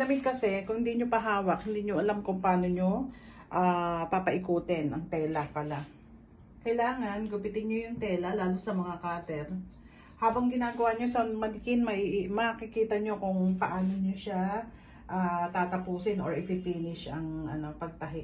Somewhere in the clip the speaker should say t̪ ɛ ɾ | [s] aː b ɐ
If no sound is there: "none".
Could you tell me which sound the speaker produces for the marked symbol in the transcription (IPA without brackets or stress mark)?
h